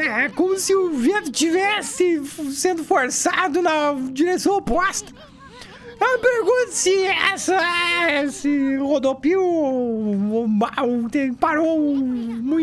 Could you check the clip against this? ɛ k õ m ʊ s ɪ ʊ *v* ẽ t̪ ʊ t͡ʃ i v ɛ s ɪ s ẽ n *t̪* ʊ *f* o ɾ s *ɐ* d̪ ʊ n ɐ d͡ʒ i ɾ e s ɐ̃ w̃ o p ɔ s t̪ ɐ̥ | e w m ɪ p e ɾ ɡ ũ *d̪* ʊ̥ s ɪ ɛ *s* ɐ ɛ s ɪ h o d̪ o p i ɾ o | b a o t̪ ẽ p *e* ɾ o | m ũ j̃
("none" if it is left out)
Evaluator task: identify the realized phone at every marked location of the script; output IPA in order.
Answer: v, d̪, f, a, t̪, s, a

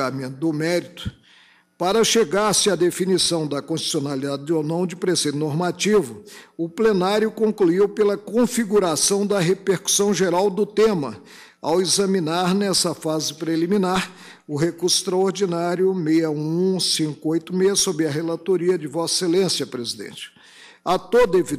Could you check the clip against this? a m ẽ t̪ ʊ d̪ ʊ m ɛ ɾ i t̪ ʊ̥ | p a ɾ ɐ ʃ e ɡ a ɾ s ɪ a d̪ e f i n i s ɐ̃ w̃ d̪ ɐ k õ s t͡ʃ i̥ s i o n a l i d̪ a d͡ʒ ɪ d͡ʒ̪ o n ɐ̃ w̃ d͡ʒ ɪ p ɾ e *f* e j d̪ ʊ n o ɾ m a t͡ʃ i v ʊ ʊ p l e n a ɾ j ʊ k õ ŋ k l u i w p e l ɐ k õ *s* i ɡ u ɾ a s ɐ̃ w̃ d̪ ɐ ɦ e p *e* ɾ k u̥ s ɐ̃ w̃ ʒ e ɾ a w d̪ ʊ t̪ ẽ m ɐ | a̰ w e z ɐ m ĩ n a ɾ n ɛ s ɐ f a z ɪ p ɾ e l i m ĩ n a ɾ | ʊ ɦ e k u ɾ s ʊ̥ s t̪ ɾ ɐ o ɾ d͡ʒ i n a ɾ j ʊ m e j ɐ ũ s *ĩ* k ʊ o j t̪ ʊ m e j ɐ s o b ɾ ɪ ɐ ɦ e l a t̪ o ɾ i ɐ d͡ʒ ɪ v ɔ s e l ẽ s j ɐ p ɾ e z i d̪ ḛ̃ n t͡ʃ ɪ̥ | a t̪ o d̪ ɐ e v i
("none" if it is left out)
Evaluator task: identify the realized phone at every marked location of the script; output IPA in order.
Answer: s, f, e, ĩ

